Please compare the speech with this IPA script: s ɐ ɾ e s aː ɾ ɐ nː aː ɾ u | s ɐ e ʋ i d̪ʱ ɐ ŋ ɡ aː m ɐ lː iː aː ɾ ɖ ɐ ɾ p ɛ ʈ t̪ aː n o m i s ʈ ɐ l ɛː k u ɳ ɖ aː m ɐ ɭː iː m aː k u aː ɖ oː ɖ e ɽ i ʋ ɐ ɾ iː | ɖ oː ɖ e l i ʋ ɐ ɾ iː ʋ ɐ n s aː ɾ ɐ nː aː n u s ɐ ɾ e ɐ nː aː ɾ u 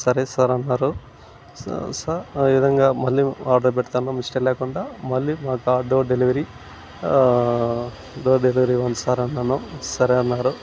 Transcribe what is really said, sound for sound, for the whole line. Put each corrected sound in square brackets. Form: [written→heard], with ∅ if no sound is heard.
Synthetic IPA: s ɐ ɾ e s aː ɾ ɐ nː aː ɾ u | s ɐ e ʋ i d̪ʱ ɐ ŋ ɡ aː m ɐ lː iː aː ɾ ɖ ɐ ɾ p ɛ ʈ t̪ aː n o m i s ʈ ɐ l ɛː k u ɳ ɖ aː m ɐ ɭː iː m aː k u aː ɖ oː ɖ e [ɽ→l] i ʋ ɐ ɾ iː | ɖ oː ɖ e l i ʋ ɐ ɾ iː ʋ ɐ n s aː ɾ ɐ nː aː n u s ɐ ɾ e ɐ nː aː ɾ u